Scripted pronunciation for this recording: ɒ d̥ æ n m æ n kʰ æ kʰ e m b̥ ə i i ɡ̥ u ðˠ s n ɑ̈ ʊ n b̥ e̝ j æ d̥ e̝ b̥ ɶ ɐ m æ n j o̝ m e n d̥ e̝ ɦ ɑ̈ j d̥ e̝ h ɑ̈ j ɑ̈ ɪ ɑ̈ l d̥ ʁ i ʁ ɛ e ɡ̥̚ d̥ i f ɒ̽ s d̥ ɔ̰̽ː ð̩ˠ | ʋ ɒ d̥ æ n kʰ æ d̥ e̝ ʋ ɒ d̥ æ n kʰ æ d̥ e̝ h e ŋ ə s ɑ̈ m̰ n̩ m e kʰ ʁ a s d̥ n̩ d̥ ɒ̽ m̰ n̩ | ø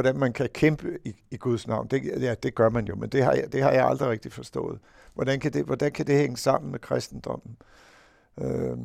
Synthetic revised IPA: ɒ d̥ æ n m æ n kʰ æ kʰ e m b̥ ə i i ɡ̥ u ðˠ s n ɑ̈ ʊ n d̥ e̝ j æ d̥ e̝ ɡ̥ ɶ ɐ m æ n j o̝ m e n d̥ e̝ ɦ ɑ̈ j d̥ e̝ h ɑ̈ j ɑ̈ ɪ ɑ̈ l d̥ ʁ i ʁ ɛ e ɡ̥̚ d̥ i f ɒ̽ s d̥ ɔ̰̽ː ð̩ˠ | ʋ ɒ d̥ æ n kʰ æ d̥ e̝ ʋ ɒ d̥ æ n kʰ æ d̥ e̝ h e ŋ ə s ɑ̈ m̰ n̩ m e kʰ ʁ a s d̥ n̩ d̥ ɒ̽ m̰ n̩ | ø